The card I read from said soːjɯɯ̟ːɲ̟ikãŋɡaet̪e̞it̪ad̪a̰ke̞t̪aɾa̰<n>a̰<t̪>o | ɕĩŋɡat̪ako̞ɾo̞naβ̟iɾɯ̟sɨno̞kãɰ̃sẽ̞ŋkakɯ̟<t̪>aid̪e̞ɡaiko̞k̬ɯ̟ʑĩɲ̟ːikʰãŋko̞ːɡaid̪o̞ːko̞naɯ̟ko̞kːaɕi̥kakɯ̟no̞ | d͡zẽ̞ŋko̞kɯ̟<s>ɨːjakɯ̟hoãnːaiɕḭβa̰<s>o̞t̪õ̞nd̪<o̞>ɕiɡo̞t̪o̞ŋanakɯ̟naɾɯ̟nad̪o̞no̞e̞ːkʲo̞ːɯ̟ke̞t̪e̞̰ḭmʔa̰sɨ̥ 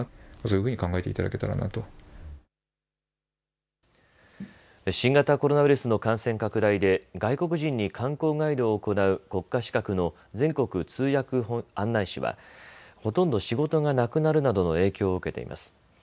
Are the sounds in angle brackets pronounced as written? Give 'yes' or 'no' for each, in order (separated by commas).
yes, yes, no, no, no, yes